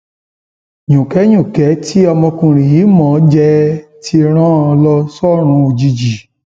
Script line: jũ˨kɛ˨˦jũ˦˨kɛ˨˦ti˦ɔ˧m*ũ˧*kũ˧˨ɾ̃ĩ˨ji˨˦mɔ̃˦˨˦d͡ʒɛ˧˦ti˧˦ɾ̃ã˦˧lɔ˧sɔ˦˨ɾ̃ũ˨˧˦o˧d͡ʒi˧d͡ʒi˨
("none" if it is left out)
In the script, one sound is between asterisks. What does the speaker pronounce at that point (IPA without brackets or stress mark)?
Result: ɔ̃˧